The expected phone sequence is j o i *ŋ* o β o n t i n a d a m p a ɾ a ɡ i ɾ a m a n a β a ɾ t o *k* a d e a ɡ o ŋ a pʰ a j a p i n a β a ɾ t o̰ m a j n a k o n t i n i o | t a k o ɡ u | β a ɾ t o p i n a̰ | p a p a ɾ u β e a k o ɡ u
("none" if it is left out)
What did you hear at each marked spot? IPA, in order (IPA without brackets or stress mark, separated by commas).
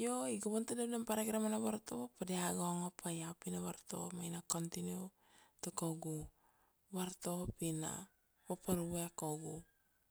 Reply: ɡ, p